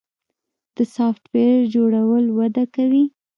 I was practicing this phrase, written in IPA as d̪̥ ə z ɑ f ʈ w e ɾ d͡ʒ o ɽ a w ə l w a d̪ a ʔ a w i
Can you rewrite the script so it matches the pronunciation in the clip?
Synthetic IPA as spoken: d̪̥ ə s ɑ f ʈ w e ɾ d͡ʒ o ɽ a w ə l w a d̪ a k a w i